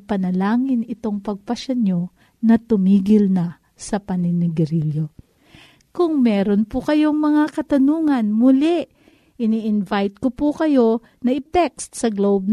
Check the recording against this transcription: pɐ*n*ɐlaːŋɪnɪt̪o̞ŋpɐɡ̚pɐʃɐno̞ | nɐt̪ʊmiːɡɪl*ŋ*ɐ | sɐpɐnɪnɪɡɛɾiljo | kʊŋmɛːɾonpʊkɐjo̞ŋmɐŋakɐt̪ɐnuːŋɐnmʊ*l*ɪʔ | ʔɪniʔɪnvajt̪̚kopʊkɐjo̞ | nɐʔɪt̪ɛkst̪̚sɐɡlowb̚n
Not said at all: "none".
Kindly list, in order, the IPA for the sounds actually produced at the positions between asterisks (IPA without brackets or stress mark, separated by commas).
n, n, l